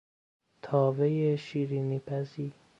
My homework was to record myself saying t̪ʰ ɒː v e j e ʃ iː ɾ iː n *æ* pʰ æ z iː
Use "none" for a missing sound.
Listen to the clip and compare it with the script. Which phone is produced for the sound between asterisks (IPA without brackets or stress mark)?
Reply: i